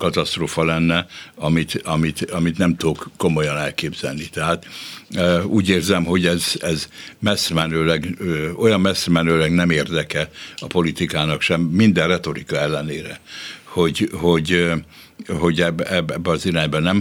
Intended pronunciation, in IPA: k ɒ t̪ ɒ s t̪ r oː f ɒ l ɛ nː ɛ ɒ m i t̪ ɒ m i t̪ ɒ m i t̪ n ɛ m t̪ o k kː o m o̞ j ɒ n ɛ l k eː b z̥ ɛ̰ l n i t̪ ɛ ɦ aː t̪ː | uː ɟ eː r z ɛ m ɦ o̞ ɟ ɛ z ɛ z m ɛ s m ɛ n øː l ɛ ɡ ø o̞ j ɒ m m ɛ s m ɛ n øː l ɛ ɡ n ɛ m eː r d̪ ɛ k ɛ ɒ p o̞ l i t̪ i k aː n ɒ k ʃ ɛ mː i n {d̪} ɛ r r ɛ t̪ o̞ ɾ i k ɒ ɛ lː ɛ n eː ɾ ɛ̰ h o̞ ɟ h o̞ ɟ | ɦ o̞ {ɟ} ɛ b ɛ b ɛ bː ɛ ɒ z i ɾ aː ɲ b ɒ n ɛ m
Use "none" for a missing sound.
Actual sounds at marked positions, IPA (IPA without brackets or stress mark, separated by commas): d̪, ɟ